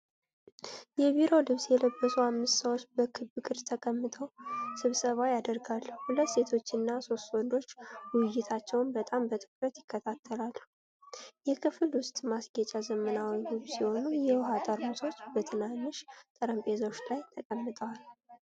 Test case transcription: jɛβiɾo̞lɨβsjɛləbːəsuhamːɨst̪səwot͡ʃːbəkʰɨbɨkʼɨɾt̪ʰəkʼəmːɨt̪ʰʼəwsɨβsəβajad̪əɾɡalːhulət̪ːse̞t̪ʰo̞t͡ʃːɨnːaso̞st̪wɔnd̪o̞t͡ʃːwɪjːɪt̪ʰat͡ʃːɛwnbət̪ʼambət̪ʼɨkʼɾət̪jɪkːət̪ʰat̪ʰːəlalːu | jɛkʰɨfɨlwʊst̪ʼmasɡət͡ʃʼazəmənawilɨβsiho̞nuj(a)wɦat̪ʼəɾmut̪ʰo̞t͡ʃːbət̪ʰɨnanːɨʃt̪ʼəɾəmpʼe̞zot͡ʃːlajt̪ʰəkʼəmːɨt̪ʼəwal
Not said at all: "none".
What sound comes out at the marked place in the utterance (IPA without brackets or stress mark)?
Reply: ɛ